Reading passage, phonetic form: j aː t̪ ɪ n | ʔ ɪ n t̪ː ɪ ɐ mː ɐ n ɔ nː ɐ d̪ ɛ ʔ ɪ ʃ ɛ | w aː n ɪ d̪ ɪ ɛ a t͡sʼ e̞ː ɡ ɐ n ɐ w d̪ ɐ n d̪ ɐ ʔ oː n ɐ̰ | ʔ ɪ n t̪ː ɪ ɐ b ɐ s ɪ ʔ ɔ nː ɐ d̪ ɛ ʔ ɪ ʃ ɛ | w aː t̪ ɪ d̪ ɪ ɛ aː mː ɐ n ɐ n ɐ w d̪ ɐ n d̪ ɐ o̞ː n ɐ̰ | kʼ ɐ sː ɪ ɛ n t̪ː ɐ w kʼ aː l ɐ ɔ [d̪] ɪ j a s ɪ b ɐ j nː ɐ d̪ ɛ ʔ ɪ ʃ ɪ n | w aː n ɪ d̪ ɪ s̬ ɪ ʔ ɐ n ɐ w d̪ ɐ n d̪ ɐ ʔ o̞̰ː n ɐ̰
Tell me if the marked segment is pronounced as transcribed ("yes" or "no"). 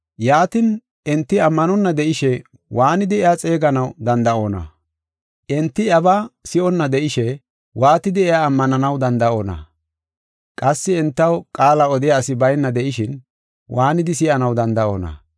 yes